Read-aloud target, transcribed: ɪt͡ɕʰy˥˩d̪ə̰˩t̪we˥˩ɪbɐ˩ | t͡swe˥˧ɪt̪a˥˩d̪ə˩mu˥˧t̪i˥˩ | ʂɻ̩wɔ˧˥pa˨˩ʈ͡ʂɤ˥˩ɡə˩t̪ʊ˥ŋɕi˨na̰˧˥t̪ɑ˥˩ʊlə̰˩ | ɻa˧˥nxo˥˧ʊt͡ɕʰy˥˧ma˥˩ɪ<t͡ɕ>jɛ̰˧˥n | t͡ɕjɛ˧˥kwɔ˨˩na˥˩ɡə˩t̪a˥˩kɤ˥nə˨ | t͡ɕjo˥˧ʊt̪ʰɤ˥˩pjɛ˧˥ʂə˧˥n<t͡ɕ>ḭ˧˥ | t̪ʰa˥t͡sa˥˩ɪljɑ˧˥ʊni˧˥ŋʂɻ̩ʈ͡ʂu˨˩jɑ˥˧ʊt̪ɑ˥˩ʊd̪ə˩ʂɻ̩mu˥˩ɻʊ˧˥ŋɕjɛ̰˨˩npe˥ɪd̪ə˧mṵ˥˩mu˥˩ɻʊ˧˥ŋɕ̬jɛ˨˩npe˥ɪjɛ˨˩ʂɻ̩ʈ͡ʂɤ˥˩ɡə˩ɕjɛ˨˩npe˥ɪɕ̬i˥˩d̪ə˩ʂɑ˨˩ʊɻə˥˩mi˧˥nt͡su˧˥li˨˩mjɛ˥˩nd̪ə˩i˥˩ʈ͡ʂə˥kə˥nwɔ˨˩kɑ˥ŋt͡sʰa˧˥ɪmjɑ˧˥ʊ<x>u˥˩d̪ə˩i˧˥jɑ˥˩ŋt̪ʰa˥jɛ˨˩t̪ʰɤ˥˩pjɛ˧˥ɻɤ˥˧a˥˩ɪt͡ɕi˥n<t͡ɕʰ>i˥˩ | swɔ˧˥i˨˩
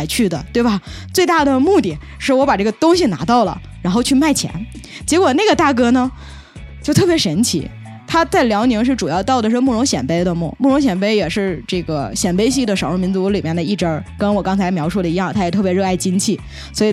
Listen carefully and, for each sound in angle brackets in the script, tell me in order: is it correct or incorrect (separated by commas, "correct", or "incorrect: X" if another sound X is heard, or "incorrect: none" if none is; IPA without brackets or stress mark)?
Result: incorrect: t͡ɕʰ, incorrect: t͡ɕʰ, incorrect: ʂ, correct